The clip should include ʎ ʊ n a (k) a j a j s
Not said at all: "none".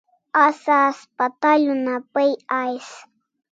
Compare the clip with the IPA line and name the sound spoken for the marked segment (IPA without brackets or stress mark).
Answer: p